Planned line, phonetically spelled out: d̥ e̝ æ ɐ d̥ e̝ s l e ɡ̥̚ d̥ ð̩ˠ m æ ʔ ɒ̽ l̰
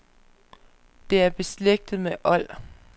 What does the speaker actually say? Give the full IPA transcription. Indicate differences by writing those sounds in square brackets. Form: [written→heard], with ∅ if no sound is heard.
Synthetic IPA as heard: d̥ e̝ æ ɐ [d̥→b̥] e̝ s l e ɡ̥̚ d̥ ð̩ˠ m [æ→e] ʔ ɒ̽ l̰

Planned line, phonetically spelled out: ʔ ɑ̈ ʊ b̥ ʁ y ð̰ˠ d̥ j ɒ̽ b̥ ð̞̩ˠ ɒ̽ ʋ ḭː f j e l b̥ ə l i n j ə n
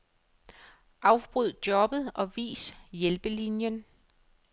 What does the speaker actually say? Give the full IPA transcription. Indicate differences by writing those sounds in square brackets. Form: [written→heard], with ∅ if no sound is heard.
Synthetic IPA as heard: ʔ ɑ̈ ʊ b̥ ʁ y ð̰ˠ d̥ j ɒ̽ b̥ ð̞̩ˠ ɒ̽ ʋ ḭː [f→s] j e l b̥ ə l i n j ə n

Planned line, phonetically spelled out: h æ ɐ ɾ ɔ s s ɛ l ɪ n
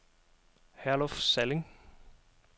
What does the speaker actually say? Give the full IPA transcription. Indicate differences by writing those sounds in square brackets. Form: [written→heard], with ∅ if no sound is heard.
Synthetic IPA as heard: h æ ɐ [ɾ→l] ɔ [s→f] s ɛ l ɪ [n→ŋ]

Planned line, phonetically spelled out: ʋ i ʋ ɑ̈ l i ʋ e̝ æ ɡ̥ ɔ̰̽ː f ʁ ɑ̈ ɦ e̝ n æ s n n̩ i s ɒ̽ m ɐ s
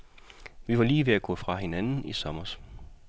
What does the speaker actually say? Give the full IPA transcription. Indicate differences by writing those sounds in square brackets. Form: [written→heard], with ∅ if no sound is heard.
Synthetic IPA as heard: ʋ i ʋ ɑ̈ l [i→iː] ʋ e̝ æ ɡ̥ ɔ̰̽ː f ʁ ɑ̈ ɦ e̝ n æ [s→∅] n n̩ i s ɒ̽ m ɐ s

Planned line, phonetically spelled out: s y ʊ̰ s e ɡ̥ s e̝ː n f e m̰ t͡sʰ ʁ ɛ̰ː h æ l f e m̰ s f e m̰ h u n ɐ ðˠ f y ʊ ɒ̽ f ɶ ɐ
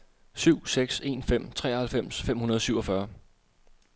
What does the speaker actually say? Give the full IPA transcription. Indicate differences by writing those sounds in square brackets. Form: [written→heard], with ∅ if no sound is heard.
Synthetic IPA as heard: s y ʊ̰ s e ɡ̥ s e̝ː n f e m̰ t͡sʰ ʁ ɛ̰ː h æ l f e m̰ s f e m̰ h u n ɐ ðˠ [f→s] y ʊ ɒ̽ f ɶ ɐ

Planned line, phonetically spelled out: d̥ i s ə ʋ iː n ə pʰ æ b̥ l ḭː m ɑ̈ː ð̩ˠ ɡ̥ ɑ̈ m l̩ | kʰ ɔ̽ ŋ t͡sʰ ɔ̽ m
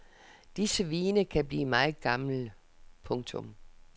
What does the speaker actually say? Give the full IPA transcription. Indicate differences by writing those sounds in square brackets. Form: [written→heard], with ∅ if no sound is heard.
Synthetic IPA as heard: d̥ i s ə ʋ iː n ə [pʰ→kʰ] æ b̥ l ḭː m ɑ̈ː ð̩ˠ ɡ̥ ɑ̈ m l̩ | [kʰ→pʰ] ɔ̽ ŋ t͡sʰ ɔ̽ m

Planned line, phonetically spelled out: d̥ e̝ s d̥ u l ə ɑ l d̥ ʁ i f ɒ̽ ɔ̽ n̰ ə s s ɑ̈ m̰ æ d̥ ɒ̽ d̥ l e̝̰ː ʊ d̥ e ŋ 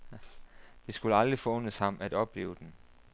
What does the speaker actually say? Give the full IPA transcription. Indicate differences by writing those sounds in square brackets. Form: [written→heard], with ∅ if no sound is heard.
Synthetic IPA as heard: d̥ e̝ s [d̥→ɡ̥] u l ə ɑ l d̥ ʁ i f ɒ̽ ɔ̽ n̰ ə s [s→h] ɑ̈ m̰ æ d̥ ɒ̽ [d̥→b̥] l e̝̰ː ʊ d̥ e [ŋ→n]

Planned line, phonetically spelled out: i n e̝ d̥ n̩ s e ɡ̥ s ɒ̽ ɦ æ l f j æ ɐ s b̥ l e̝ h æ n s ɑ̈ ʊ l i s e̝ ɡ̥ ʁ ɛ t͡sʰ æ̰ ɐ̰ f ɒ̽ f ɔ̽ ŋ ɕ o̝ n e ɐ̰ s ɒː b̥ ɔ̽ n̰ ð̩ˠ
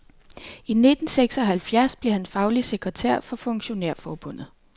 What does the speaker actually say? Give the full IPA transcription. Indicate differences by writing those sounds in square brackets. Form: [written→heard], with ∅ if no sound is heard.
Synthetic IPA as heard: i n e̝ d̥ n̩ s e ɡ̥ s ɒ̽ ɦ æ l f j æ ɐ s b̥ l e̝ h æ n [s→f] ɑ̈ ʊ l i s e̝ ɡ̥ ʁ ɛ t͡sʰ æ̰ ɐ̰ f ɒ̽ f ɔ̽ ŋ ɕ o̝ n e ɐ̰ [s→f] ɒː b̥ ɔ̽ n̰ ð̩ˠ

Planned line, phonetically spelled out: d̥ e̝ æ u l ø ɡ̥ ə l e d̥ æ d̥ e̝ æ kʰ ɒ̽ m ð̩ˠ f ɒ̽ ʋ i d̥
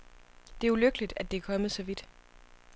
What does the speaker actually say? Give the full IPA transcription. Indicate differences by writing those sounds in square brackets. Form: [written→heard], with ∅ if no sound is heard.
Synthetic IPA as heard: d̥ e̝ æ u l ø ɡ̥ ə l [e→i] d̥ æ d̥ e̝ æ kʰ ɒ̽ m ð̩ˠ [f→s] ɒ̽ ʋ i d̥

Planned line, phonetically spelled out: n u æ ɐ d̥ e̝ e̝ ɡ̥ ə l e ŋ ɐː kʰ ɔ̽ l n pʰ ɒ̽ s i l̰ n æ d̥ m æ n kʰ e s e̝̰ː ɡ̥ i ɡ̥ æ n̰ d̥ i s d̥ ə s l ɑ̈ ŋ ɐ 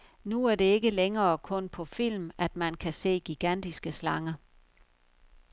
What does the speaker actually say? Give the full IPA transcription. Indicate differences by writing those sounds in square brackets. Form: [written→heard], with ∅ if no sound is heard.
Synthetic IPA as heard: n u æ ɐ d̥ e̝ e̝ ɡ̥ ə l e ŋ ɐː kʰ ɔ̽ [l→∅] n pʰ ɒ̽ [s→f] i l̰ [n→m] æ d̥ m æ n kʰ [e→æ] s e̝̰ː ɡ̥ i ɡ̥ æ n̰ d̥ i s [d̥→ɡ̥] ə s l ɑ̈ ŋ ɐ

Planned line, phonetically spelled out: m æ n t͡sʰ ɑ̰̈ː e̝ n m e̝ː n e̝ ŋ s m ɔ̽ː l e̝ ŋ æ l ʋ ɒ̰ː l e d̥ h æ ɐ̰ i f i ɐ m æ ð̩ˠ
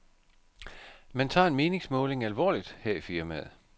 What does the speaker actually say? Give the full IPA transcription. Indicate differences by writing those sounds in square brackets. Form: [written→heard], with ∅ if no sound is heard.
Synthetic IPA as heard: m æ n t͡sʰ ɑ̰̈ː e̝ n m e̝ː n e̝ ŋ s m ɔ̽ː l e̝ ŋ æ l ʋ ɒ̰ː l [e→i] d̥ h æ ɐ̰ i f i ɐ m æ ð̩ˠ

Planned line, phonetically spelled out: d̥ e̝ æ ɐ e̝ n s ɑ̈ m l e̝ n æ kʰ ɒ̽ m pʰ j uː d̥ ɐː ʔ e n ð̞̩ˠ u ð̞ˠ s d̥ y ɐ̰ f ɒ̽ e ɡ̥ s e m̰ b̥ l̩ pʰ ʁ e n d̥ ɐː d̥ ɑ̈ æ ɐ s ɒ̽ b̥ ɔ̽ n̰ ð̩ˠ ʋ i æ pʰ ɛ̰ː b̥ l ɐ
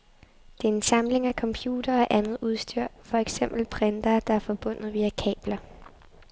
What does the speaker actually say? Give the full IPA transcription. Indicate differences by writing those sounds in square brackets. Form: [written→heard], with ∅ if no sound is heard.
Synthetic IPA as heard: d̥ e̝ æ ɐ e̝ n s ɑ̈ m l e̝ [n→ŋ] æ kʰ ɒ̽ m pʰ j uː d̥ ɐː ʔ [e→æ] n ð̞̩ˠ u ð̞ˠ s d̥ y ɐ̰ f ɒ̽ e ɡ̥ s e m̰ b̥ l̩ pʰ ʁ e n d̥ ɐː d̥ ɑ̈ æ ɐ [s→f] ɒ̽ b̥ ɔ̽ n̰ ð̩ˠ ʋ i æ [pʰ→kʰ] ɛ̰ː b̥ l ɐ

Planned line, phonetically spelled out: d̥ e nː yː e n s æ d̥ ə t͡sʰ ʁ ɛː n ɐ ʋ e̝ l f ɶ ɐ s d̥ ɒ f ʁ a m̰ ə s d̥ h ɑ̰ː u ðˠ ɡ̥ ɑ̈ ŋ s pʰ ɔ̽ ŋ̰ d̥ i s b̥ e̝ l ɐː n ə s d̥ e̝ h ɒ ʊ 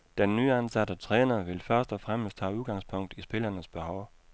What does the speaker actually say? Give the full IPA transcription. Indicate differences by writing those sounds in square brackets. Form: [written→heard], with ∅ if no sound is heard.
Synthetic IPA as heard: d̥ e nː yː [e→æ] n s æ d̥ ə t͡sʰ ʁ ɛː n ɐ ʋ e̝ l f ɶ ɐ s d̥ ɒ f ʁ a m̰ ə s d̥ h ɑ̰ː u ðˠ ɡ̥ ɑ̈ ŋ s pʰ ɔ̽ ŋ̰ d̥ i s b̥ e̝ l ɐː n ə s [d̥→b̥] e̝ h ɒ ʊ

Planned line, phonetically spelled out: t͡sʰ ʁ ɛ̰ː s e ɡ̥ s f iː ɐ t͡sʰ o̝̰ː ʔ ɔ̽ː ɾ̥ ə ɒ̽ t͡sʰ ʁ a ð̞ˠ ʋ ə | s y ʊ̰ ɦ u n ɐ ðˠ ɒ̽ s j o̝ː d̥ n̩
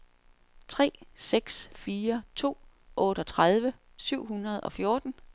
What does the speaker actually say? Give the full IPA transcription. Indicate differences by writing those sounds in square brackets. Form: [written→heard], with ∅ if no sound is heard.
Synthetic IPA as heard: t͡sʰ ʁ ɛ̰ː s e ɡ̥ s f iː ɐ t͡sʰ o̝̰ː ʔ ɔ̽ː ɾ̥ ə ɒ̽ t͡sʰ ʁ a ð̞ˠ ʋ ə | s y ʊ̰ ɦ u n ɐ ðˠ ɒ̽ [s→f] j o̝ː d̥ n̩

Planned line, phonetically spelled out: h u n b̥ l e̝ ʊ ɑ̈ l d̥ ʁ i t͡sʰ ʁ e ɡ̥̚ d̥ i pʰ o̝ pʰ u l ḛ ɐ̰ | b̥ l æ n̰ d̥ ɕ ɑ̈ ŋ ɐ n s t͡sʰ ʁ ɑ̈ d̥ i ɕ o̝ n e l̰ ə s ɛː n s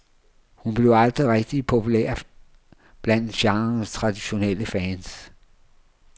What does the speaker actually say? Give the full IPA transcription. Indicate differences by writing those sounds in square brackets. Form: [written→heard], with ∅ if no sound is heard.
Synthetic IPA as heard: h u n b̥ l e̝ ʊ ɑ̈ l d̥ ʁ i [t͡sʰ→∅] ʁ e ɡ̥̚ d̥ i pʰ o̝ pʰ u l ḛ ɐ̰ | b̥ l æ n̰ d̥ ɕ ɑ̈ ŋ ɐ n s t͡sʰ ʁ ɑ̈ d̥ i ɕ o̝ n e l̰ ə [s→f] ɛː n s

